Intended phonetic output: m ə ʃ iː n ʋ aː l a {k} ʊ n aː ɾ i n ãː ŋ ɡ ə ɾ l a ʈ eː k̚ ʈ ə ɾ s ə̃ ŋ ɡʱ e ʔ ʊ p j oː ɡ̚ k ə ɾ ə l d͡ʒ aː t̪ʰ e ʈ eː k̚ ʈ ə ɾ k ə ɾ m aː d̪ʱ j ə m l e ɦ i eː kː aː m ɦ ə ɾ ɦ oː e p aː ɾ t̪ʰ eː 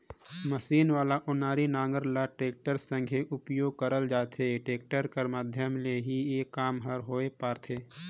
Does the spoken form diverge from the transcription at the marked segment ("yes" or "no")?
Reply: yes